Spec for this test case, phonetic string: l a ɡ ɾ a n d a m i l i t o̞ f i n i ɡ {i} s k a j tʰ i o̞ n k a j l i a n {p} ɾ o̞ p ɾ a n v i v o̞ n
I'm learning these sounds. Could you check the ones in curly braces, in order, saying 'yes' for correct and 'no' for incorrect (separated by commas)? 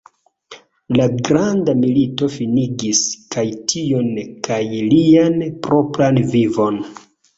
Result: yes, yes